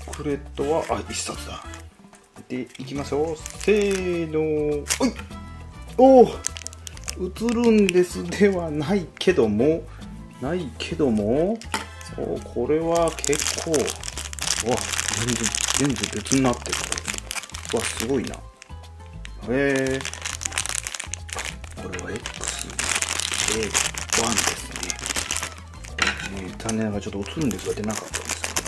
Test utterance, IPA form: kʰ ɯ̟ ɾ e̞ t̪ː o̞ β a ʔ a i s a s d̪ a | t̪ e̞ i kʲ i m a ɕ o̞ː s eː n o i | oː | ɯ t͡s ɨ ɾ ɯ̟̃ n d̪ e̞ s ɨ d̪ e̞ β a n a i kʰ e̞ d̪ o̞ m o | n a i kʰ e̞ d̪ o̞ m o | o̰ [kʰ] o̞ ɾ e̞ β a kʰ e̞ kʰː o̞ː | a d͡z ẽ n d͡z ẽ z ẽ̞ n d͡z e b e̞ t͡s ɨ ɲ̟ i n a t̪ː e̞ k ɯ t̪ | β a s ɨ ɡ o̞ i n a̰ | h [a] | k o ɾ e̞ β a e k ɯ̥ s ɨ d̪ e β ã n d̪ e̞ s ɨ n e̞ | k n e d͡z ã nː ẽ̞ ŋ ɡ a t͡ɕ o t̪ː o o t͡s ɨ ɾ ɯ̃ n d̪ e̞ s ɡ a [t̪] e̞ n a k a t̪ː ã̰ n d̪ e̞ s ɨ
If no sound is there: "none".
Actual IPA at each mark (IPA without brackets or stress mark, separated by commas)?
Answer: kʰ, e, d̪